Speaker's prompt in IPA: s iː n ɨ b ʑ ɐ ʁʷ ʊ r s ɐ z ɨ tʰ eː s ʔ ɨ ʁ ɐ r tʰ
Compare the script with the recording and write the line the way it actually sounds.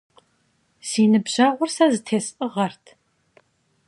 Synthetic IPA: s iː n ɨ b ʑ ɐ ʁʷ ʊ r s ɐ z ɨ tʰ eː s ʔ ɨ ʁ ɐ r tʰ